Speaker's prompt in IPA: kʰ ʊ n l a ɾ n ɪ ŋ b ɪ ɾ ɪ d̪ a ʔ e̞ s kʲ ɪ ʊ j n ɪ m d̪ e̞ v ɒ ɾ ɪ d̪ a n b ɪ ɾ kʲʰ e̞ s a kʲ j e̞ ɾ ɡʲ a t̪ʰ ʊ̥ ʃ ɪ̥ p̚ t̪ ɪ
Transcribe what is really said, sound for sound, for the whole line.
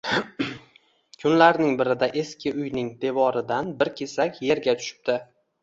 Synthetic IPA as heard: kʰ ʊ n l a ɾ n ɪ ŋ b ɪ ɾ ɪ d̪ a ʔ e̞ s kʲ ɪ ʊ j n ɪ ŋ d̪ e̞ v ɒ ɾ ɪ d̪ a n b ɪ ɾ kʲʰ e̞ s a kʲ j e̞ ɾ ɡʲ a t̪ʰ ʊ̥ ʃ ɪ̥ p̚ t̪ ɪ